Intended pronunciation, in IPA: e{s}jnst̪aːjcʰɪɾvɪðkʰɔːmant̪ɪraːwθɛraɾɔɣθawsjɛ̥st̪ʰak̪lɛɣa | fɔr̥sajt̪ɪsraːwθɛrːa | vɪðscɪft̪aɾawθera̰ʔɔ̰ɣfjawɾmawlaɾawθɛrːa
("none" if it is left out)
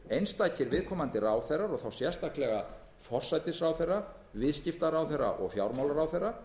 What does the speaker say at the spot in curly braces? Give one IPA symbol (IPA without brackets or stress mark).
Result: none